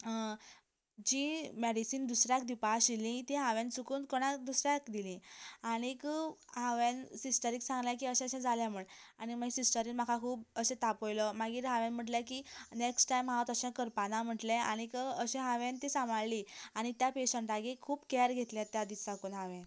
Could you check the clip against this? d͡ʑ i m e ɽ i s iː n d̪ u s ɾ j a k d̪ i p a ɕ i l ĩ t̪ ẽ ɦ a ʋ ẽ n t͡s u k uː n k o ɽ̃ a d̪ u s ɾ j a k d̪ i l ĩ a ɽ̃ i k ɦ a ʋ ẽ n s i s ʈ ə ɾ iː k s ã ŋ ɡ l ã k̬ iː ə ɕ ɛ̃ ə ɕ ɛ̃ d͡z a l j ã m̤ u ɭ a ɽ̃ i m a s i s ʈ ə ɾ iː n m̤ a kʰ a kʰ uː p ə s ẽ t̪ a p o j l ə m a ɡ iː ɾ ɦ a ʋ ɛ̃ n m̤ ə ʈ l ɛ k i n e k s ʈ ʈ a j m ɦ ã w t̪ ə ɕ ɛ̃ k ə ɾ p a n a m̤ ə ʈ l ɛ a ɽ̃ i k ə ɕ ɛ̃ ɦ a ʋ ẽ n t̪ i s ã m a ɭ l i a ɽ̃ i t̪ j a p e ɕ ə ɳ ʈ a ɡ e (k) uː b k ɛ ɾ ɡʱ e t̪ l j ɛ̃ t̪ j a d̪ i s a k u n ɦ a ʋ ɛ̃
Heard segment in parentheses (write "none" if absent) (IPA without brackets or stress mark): kʰ